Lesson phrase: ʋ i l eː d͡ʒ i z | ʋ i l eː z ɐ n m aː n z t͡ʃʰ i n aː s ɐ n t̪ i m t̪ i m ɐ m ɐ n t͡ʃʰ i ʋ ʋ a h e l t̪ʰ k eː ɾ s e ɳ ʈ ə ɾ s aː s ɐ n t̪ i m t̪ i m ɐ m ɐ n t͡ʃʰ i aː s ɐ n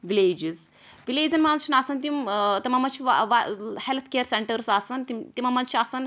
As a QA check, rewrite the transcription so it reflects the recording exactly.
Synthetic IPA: ʋ i l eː d͡ʒ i z | ʋ i l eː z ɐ n m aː n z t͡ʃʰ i n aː s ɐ n t̪ i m t̪ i m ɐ m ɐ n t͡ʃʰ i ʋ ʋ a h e l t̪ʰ k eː ɾ s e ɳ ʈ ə ɾ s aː s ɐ n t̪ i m t̪ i m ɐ m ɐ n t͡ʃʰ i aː s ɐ n